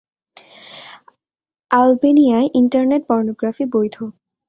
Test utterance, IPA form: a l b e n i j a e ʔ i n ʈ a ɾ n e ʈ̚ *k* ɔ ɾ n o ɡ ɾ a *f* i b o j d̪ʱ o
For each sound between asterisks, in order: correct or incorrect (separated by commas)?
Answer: incorrect, correct